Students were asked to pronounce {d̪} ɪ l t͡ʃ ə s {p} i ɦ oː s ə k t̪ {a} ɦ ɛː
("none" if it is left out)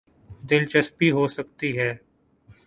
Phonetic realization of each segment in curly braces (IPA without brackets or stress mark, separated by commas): d̪, p, i